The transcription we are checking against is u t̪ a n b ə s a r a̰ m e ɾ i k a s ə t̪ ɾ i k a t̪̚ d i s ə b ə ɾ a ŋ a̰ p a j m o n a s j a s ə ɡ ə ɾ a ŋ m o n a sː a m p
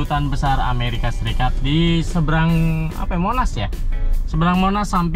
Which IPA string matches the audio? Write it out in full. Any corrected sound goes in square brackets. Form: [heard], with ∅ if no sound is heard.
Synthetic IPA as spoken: u t̪ a n b ə s a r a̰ m e ɾ i k a s ə [∅] ɾ i k a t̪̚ d i s ə b ə ɾ a ŋ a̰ p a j m o n a s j a s ə [b] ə ɾ a ŋ m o n a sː a m p